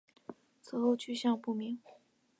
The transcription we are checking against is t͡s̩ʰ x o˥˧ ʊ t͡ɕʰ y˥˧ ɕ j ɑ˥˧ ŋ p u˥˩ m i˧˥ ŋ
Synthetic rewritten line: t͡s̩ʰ x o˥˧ ʊ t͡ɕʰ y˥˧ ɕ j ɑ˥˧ ŋ p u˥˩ m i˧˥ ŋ